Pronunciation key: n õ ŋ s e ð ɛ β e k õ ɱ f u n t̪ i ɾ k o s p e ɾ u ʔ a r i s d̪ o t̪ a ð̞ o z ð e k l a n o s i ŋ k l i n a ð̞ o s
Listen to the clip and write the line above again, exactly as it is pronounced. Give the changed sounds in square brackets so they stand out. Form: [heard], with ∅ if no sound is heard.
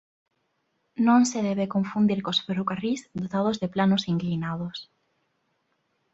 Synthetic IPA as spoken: n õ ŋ s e ð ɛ β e k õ ɱ f u n [d̪] i ɾ k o s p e ɾ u [k] a r i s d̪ o t̪ a ð̞ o z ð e [p] l a n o s i ŋ k l i n a ð̞ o s